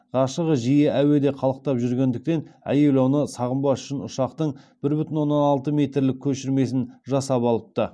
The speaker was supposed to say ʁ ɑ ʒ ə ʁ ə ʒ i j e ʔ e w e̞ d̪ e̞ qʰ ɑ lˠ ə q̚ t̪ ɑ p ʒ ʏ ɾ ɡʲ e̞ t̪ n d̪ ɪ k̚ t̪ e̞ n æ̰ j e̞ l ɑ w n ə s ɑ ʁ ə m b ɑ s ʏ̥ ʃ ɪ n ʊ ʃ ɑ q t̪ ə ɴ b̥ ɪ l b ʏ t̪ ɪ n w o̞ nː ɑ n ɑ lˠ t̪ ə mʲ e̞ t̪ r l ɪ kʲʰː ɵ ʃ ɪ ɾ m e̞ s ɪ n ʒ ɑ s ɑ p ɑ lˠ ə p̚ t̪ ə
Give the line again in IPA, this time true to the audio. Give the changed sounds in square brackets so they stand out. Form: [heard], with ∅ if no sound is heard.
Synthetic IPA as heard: ʁ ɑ [ʃ] ə ʁ ə ʒ i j e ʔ [æ] w e̞ d̪ e̞ qʰ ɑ lˠ ə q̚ t̪ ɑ p ʒ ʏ ɾ ɡʲ e̞ [∅] n d̪ ɪ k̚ t̪ e̞ n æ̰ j e̞ l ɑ w n ə s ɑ ʁ ə m b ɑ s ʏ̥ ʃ ɪ n ʊ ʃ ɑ q t̪ ə ɴ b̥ ɪ [ɾ] b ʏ t̪ ɪ n w o̞ nː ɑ n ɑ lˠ t̪ ə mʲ e̞ t̪ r l ɪ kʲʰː ɵ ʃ ɪ ɾ m e̞ s ɪ n ʒ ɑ s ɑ p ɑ lˠ ə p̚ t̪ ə